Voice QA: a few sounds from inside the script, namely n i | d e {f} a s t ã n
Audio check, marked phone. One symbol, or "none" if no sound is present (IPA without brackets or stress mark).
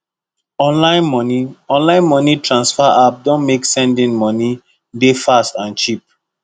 f